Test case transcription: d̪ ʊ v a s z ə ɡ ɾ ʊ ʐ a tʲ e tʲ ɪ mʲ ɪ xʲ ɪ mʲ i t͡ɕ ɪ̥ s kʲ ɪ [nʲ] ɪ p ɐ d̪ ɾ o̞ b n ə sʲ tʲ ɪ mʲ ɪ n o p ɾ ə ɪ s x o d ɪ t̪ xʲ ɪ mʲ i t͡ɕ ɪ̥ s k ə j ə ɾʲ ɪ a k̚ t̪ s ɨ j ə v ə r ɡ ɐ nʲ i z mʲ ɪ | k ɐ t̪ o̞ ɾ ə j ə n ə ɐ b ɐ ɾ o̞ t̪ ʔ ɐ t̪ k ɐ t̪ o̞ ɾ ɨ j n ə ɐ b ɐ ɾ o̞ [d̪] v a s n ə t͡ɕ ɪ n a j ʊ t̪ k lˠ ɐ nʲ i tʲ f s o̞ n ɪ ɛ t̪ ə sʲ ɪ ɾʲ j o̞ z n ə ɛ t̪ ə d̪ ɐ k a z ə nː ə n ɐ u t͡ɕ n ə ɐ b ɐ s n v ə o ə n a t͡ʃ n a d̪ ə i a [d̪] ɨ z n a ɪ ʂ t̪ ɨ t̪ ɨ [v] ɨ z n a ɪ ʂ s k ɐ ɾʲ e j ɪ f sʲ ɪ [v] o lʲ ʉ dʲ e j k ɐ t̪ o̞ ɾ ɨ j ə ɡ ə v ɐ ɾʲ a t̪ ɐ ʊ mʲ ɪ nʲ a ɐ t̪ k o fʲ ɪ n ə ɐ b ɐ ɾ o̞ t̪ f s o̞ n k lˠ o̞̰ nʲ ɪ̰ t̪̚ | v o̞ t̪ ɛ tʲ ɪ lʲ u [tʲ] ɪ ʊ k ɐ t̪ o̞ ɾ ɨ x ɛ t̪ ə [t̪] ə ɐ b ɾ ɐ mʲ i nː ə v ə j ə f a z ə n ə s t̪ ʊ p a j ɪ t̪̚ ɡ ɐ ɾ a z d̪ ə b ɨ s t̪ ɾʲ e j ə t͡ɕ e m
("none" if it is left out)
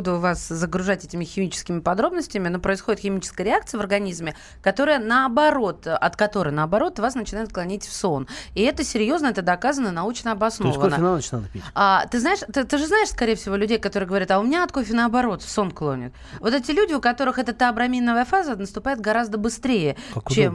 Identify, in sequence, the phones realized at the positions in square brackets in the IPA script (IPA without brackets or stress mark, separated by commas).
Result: mʲ, t̪, t̪, ʐ, v, dʲ, t̪